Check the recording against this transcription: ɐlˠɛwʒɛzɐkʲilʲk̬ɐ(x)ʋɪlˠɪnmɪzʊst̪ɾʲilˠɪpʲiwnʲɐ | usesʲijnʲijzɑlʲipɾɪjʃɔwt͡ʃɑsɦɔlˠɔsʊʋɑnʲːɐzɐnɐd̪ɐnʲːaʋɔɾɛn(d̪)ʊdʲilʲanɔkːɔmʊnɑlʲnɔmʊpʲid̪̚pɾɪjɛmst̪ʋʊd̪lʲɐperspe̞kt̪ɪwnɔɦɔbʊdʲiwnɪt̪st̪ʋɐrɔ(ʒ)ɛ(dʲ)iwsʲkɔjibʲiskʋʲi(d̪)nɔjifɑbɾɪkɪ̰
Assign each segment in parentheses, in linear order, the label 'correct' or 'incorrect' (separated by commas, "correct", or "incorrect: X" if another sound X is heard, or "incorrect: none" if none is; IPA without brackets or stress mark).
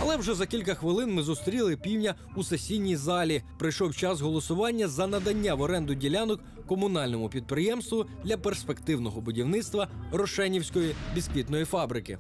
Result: correct, correct, incorrect: ʃ, incorrect: nʲ, incorrect: t̪